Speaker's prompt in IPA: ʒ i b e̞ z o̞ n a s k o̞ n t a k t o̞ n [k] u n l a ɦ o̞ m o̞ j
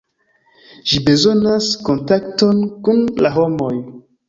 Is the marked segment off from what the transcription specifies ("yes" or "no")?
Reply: no